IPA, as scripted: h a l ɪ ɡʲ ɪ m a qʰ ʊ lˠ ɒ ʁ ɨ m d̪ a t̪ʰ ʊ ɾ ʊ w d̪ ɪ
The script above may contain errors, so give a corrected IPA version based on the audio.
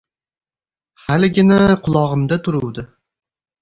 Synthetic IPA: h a l ɪ ɡʲ ɪ n a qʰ ʊ lˠ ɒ ʁ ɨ m d̪ a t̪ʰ ʊ ɾ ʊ w d̪ ɪ